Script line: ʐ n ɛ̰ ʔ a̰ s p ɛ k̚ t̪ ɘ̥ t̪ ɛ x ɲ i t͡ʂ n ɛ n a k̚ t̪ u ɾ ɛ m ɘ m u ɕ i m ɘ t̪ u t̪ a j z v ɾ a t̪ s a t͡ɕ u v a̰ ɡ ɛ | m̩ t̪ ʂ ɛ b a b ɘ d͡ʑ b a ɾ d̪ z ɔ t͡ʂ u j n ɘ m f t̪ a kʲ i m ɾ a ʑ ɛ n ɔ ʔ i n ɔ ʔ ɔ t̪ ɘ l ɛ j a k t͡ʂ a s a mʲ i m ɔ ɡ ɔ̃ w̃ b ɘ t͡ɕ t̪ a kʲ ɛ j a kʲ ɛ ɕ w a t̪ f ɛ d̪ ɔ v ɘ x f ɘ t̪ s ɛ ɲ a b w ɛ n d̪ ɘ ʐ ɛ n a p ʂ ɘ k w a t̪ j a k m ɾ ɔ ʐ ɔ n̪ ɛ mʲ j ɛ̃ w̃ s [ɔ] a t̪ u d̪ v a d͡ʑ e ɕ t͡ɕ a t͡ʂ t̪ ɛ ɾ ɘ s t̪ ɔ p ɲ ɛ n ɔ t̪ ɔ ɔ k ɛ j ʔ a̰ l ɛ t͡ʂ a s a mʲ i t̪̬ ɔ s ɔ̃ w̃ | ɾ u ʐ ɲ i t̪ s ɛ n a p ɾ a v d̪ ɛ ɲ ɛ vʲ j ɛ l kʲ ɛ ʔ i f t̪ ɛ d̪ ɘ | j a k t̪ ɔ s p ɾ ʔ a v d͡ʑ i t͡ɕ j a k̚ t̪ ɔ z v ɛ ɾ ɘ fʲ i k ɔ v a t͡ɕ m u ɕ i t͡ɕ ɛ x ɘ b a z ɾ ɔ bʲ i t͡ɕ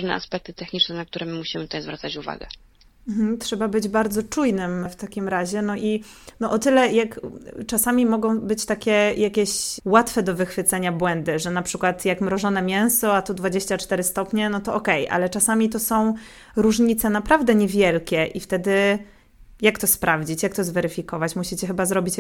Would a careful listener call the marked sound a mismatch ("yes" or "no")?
no